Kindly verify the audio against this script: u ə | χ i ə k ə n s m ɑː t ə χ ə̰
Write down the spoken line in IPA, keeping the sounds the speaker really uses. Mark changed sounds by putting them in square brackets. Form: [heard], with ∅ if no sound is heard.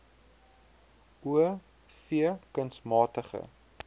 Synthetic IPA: u ə | [f] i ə k ə n s m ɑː t ə χ ə̰